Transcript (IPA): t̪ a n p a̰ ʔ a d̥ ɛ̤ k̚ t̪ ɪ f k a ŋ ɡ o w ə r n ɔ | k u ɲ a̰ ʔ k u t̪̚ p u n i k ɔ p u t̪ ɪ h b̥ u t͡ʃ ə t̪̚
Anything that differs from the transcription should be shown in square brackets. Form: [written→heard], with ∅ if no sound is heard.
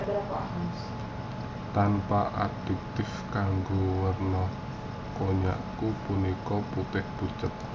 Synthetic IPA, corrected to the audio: t̪ a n p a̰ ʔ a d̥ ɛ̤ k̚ t̪ ɪ f k a ŋ ɡ o w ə r n ɔ | k [u→o] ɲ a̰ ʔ k u [t̪̚→∅] p u n i k ɔ p u t̪ ɪ h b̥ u t͡ʃ ə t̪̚